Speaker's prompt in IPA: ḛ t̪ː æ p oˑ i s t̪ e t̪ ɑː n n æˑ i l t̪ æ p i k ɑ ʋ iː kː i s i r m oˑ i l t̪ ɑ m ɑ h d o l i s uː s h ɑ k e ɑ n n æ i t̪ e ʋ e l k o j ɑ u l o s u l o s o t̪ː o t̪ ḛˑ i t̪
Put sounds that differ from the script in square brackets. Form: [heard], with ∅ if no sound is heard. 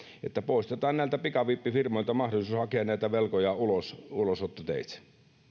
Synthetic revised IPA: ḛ t̪ː æ p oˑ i s t̪ e t̪ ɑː n n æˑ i l t̪ æ p i k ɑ ʋ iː [pː] i [f] i r m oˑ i l t̪ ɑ m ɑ h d o l i s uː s h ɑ k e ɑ n n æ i t̪ [æ] ʋ e l k o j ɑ u l o s u l o s o t̪ː o t̪ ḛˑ i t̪